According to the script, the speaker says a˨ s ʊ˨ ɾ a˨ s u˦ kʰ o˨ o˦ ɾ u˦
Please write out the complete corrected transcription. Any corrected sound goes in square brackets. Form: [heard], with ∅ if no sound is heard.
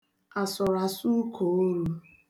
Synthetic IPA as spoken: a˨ s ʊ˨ ɾ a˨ s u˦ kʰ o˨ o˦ ɾ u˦